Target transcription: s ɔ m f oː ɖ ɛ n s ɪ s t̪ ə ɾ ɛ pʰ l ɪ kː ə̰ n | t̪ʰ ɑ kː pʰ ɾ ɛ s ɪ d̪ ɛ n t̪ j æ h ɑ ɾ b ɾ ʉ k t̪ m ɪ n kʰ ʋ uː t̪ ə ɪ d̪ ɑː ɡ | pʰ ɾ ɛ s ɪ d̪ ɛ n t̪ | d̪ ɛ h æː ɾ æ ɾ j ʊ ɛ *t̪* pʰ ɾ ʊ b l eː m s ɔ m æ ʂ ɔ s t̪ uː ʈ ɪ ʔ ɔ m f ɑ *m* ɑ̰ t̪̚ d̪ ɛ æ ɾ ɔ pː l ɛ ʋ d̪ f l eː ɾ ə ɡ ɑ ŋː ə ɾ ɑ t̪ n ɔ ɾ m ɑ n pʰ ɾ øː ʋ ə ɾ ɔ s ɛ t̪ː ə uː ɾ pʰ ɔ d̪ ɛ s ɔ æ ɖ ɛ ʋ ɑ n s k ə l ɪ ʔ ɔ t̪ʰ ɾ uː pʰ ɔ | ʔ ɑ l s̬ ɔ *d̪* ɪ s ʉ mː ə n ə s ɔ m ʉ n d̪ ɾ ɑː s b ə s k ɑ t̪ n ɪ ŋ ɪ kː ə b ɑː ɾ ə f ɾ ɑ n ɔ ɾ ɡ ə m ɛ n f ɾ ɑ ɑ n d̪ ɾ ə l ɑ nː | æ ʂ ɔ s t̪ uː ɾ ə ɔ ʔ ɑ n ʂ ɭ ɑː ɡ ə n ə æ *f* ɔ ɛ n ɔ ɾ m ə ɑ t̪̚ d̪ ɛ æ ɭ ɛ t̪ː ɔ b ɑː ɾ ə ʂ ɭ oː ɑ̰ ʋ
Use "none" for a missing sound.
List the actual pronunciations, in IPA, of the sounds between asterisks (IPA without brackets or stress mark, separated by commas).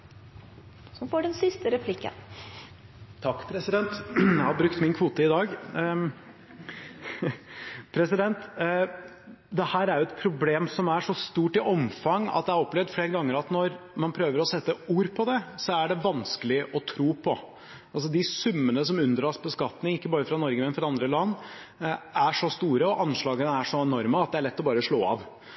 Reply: t̪, ŋ, d̪, ʂ